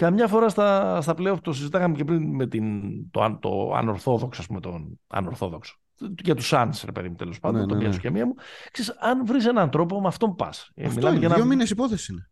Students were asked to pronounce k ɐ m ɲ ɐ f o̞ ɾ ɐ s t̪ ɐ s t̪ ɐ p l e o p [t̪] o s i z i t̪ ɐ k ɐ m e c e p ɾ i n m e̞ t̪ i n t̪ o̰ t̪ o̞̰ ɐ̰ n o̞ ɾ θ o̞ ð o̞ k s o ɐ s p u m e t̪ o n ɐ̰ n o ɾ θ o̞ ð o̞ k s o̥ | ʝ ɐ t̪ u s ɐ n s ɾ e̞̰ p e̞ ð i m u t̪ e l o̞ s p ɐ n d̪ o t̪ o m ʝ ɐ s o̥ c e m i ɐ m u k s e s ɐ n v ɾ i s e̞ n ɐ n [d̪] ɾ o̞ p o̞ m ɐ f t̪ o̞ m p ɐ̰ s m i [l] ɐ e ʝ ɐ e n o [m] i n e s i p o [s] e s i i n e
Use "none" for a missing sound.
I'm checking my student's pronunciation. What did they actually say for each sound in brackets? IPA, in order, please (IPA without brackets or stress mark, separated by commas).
t̪, t̪, l, m, θ